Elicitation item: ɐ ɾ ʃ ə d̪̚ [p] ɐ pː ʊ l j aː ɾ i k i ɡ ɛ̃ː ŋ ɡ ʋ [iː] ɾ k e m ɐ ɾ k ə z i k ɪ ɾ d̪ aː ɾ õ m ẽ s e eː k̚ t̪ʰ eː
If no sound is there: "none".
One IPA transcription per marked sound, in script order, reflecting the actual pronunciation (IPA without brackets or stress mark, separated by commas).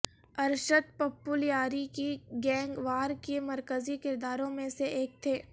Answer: p, aː